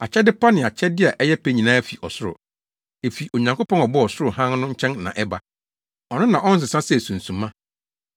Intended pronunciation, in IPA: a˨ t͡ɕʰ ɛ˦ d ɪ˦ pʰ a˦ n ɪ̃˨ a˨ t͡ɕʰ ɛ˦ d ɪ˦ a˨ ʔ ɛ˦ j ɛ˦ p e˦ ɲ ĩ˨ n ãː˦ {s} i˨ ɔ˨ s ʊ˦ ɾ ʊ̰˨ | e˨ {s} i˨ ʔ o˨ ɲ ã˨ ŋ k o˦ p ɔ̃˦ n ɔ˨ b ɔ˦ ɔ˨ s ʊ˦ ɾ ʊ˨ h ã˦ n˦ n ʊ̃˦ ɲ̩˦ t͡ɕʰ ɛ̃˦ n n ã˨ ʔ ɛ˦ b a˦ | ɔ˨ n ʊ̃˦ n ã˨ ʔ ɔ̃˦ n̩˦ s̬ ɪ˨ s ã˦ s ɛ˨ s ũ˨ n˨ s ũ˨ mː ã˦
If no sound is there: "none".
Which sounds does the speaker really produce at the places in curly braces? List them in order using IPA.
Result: f, f

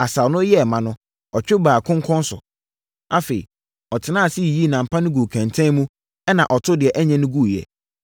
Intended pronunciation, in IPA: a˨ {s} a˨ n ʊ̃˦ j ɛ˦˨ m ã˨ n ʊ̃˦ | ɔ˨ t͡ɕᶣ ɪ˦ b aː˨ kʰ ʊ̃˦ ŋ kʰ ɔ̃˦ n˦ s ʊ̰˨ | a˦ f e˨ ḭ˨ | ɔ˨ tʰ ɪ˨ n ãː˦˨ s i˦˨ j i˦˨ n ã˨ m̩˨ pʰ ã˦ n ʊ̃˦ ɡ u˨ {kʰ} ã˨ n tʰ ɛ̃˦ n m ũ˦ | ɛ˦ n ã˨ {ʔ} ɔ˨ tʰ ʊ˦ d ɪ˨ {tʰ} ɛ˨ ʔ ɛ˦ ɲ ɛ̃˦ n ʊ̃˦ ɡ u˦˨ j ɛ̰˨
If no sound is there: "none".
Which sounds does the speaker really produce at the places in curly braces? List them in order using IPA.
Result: s, kʰ, ʔ, none

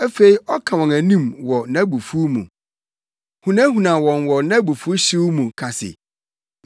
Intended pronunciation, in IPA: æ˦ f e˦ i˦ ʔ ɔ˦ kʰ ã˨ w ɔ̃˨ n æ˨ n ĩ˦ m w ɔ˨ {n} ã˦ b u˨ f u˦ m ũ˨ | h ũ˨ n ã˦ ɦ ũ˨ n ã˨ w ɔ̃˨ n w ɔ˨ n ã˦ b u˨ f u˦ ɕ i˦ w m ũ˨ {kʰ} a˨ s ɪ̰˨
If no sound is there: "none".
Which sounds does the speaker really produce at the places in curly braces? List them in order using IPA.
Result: n, kʰ

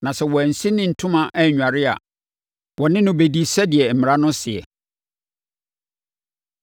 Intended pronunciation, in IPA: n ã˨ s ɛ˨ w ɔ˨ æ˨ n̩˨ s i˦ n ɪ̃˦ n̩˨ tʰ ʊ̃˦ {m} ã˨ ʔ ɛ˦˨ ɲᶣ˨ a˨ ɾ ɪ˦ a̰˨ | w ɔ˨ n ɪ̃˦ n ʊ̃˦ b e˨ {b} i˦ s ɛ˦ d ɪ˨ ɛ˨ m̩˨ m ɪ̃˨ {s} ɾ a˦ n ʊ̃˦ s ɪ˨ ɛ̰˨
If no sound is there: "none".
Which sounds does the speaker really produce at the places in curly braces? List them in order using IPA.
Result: m, d, none

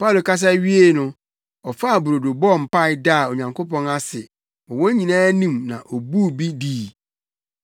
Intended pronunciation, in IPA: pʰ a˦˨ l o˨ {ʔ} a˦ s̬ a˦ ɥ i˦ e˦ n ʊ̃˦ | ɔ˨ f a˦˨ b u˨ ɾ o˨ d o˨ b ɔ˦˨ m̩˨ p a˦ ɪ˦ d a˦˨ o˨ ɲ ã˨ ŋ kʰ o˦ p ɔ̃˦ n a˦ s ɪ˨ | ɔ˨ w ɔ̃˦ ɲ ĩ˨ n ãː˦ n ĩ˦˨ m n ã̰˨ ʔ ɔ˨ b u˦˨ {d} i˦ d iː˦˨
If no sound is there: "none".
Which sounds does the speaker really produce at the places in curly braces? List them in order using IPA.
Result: k, b

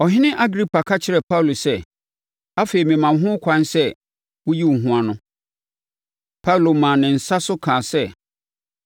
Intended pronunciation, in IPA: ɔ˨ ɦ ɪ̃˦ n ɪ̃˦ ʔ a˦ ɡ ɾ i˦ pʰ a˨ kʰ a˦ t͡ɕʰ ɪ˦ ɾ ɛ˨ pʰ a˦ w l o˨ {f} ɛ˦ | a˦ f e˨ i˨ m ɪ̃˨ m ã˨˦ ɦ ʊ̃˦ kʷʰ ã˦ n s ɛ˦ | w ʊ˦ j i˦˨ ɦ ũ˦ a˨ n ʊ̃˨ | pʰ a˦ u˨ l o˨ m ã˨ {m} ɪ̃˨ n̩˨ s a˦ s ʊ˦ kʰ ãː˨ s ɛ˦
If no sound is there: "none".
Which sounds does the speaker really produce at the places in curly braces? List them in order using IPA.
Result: s, n

